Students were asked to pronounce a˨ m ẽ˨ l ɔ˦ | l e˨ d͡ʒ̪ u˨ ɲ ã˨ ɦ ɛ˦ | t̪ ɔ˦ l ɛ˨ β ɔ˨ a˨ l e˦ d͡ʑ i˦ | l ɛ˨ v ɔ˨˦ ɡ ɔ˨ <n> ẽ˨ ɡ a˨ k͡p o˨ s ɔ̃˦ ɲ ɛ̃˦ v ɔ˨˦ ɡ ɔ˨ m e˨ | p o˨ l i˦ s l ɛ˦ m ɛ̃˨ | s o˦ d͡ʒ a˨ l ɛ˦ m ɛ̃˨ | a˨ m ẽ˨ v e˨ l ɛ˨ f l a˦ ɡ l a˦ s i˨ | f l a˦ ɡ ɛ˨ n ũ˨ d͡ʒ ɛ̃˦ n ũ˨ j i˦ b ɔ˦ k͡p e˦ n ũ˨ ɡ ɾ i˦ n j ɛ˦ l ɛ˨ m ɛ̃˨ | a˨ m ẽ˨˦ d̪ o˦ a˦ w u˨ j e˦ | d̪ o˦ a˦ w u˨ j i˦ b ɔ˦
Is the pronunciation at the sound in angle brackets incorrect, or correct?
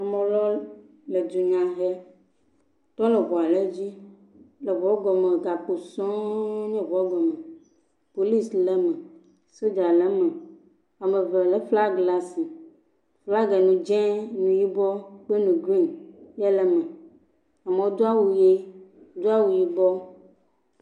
incorrect